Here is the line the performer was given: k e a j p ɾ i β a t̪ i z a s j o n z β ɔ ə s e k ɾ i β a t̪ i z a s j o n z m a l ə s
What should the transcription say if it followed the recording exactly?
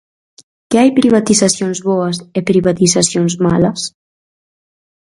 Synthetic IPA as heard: k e a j p ɾ i β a t̪ i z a s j o n z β ɔ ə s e p ɾ i β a t̪ i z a s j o n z m a l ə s